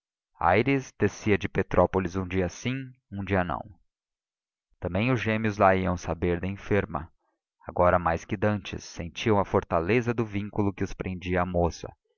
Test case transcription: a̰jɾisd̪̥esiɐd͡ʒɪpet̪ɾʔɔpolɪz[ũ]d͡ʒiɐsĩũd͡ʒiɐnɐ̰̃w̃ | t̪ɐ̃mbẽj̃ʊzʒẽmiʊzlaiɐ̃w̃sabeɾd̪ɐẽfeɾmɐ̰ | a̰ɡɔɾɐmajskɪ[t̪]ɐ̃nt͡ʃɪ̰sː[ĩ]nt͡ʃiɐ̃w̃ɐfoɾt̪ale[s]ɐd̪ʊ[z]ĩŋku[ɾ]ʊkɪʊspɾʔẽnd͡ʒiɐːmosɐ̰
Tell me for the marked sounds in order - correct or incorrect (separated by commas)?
correct, incorrect, incorrect, incorrect, incorrect, incorrect